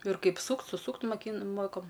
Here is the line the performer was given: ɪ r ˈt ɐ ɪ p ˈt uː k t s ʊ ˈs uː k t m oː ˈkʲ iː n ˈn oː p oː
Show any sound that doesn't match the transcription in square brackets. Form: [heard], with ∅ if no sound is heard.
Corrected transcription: ɪ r [ˈk] ɐ ɪ p [ˈs] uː k t s ʊ ˈs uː k t m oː ˈkʲ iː n [ˈm] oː [k] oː